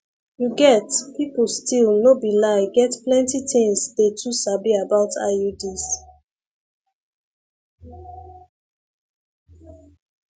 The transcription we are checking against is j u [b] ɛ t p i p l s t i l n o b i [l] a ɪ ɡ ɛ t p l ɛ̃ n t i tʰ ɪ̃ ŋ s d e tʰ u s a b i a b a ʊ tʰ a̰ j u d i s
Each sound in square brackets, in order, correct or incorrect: incorrect: ɡ, correct

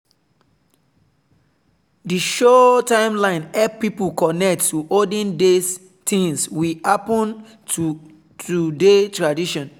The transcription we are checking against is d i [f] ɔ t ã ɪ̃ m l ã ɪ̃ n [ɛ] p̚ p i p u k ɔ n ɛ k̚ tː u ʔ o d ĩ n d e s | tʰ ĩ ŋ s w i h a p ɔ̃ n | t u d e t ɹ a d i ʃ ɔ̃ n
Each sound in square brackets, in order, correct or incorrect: incorrect: ʃ, correct

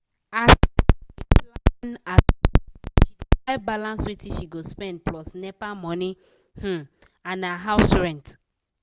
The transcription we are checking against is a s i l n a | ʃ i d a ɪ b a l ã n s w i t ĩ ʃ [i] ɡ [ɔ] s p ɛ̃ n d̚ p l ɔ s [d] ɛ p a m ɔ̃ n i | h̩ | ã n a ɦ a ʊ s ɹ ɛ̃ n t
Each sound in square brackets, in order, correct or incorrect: correct, incorrect: o, incorrect: n

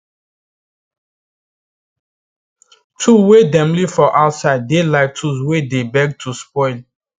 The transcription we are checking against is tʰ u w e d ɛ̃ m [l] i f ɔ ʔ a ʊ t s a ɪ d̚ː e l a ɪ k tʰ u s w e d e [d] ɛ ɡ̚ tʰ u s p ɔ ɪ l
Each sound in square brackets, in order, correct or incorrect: correct, incorrect: b

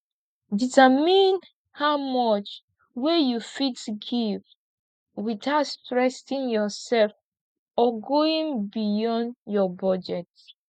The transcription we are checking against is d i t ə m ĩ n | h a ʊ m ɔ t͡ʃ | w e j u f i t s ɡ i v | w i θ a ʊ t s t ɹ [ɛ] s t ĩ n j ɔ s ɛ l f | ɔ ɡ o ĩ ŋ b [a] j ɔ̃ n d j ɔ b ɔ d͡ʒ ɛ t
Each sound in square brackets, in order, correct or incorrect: correct, incorrect: i

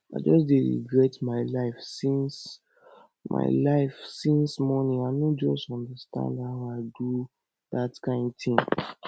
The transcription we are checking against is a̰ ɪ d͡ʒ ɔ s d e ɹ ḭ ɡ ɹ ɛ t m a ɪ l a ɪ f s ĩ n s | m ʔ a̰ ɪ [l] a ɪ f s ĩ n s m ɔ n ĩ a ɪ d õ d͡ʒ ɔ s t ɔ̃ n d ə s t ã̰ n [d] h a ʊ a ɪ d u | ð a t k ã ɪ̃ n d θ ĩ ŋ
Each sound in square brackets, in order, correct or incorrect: correct, correct

